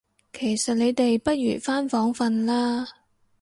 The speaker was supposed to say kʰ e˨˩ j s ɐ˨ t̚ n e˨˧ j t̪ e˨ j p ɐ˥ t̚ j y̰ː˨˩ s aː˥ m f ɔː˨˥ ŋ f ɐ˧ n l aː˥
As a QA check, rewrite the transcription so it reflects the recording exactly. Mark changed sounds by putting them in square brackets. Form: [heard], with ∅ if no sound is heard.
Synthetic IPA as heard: kʰ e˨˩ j s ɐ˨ t̚ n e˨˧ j t̪ e˨ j p ɐ˥ t̚ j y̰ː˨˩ [f] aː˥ [n] f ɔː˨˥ ŋ f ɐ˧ n l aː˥